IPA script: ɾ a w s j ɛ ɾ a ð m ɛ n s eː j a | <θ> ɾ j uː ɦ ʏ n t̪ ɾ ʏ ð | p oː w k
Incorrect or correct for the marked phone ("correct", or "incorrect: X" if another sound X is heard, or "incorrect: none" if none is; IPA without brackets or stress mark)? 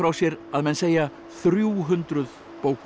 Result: correct